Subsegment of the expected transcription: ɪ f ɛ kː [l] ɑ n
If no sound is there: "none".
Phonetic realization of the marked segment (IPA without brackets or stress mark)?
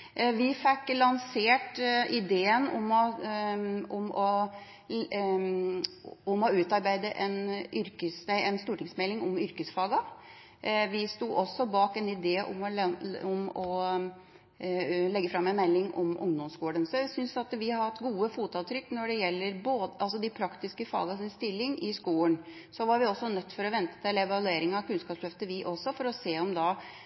l